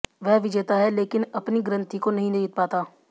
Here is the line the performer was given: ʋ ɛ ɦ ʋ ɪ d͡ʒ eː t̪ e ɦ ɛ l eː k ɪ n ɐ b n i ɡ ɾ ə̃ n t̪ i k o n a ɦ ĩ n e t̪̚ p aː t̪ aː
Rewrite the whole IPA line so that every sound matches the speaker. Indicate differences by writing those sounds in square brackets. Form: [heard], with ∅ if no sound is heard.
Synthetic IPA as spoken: ʋ ɛ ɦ ʋ ɪ d͡ʒ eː t̪ [a] ɦ ɛ l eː k ɪ n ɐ [p] n i ɡ ɾ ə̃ n t̪ i k o n [ɐ] ɦ ĩ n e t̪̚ p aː t̪ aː